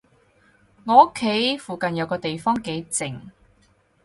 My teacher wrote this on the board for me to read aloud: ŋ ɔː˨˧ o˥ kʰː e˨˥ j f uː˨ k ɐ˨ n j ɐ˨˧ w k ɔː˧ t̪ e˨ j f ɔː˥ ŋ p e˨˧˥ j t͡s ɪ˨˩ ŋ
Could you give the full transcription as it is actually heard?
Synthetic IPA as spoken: ŋ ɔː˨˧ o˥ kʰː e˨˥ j f uː˨ k ɐ˨ n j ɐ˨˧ w k ɔː˧ t̪ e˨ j f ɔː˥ ŋ k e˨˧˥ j t͡s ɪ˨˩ ŋ